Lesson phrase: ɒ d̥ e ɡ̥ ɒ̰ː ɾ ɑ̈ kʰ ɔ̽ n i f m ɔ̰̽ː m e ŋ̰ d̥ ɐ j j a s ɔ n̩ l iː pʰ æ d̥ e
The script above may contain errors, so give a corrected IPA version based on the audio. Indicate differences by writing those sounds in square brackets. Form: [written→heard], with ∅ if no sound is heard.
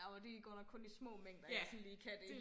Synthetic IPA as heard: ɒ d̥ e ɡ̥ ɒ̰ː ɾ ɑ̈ kʰ ɔ̽ n i [f→s] m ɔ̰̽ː m e ŋ̰ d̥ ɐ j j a s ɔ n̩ l iː [pʰ→kʰ] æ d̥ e